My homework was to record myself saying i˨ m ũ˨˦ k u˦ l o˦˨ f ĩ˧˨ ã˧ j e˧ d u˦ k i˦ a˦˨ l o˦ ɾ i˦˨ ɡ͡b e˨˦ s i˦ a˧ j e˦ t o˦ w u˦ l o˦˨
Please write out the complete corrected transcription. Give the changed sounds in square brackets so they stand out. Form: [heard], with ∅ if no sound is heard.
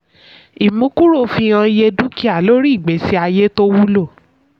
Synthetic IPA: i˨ m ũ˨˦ k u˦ [ɾ] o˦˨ f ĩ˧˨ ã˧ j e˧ d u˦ k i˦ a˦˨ l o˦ ɾ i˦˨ ɡ͡b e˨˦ s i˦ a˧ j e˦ t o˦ w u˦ l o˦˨